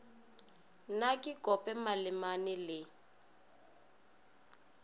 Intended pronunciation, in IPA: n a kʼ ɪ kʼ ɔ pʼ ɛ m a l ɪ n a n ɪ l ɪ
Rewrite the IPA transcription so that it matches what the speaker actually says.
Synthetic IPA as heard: n a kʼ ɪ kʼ ɔ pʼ ɛ m a l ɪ m a n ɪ l ɪ